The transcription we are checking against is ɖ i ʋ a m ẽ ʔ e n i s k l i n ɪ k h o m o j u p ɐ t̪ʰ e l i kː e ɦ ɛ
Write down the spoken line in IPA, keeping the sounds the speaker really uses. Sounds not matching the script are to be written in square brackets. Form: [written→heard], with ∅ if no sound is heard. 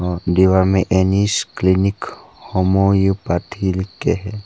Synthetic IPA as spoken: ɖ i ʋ a m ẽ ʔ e n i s k l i n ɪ k h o m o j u p [ɐ→a] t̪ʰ [e→i] l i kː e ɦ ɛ